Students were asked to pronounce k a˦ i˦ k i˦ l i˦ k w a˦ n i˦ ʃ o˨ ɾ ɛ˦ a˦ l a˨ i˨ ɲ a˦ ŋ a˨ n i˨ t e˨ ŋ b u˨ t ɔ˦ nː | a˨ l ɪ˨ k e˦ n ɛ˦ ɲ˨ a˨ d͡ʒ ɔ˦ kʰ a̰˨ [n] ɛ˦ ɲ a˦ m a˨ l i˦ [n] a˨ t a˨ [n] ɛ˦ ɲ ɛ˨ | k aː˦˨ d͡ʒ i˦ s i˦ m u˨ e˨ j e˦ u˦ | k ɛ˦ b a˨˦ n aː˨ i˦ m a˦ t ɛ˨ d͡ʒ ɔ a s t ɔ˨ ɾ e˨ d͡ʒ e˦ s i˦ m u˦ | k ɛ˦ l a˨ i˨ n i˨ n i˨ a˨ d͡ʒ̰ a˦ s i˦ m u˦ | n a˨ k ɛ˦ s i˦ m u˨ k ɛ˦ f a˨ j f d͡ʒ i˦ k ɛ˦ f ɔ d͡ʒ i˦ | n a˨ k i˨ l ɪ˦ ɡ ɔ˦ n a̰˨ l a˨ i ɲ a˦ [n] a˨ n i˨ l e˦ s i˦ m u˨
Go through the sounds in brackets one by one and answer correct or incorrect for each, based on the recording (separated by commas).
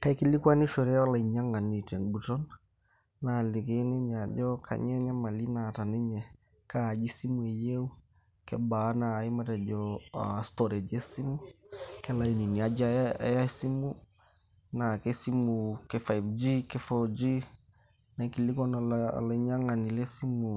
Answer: incorrect, correct, correct, incorrect